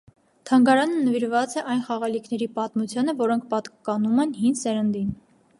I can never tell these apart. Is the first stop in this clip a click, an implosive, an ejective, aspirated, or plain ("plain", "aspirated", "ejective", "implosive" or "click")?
aspirated